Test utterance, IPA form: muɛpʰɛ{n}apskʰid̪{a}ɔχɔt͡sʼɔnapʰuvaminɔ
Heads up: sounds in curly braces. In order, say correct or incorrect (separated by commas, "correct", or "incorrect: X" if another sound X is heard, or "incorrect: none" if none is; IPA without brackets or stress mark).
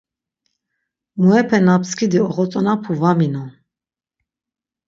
correct, incorrect: i